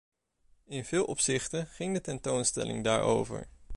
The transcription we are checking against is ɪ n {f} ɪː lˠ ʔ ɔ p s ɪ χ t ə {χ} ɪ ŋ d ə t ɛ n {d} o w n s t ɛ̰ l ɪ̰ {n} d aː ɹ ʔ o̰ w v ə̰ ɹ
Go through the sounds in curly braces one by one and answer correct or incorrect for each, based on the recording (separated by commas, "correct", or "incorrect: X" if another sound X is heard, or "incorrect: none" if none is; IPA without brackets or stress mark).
incorrect: v, correct, incorrect: t, incorrect: ŋ